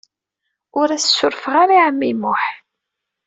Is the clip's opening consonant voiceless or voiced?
voiced